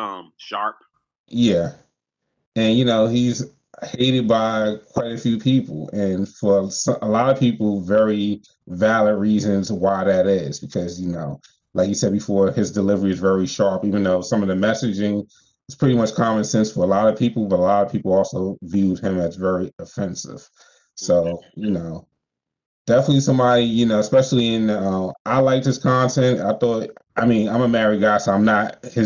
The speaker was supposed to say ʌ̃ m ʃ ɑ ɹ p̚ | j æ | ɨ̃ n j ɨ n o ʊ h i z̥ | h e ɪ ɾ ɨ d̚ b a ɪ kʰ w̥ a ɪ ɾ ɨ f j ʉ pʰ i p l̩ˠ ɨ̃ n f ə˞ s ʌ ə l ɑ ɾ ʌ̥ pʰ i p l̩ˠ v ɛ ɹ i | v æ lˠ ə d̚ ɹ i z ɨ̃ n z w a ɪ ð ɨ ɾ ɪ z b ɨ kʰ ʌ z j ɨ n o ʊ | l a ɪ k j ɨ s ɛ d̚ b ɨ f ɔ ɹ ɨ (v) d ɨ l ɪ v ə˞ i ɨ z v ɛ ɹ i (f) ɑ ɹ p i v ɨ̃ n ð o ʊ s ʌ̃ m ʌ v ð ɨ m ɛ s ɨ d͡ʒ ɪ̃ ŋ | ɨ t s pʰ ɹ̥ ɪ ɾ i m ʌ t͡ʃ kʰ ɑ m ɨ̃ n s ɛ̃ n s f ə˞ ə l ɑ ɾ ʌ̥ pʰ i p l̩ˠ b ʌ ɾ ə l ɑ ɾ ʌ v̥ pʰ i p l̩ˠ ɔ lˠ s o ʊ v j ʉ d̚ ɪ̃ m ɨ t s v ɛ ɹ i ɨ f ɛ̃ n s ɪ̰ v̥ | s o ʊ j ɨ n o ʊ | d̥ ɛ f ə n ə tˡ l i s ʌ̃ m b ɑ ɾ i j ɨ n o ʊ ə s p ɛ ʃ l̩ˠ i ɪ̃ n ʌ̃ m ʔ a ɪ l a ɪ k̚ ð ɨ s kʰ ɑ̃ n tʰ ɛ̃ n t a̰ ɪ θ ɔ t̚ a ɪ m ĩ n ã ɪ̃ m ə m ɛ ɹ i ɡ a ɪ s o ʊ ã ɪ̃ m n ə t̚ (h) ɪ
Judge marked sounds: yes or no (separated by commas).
no, no, yes